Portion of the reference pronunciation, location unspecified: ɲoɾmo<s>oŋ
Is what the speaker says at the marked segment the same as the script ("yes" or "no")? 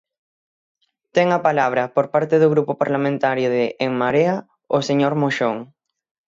no